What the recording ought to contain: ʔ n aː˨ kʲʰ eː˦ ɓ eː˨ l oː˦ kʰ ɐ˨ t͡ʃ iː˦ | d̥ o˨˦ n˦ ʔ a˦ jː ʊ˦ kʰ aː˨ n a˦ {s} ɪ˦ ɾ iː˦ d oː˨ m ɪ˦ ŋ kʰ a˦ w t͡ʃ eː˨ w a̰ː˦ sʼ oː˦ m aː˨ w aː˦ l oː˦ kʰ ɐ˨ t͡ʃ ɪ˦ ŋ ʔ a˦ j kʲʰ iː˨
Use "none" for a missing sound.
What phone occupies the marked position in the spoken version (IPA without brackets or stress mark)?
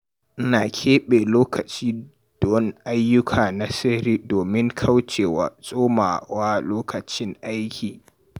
s